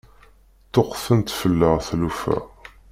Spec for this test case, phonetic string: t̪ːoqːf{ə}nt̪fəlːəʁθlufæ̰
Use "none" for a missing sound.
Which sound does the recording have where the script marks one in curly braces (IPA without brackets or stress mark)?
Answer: ə